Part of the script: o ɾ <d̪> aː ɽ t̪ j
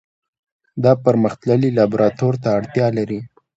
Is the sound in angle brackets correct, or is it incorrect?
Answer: incorrect